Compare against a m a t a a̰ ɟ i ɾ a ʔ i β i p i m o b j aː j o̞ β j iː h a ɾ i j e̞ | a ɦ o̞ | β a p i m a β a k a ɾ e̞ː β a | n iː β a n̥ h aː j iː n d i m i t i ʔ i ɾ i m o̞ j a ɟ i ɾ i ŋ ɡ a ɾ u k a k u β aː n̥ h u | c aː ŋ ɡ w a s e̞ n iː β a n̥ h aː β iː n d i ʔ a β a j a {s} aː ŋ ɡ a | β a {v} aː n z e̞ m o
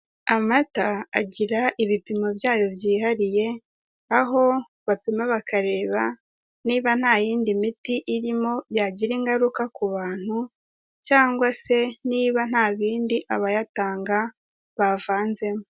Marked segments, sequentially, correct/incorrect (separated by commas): incorrect, correct